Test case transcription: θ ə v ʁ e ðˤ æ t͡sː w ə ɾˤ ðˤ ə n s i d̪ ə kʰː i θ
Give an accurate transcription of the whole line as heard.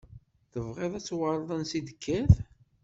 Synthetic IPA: θ ə v ʁ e ðˤ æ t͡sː w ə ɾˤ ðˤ ə n s i d̪ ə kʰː æ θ